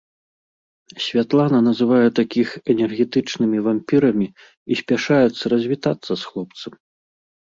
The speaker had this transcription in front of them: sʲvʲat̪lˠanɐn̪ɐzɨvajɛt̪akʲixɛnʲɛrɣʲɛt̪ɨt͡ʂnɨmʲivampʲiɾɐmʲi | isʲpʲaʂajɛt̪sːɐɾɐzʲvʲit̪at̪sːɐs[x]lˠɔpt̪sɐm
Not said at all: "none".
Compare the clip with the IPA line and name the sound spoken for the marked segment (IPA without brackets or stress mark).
x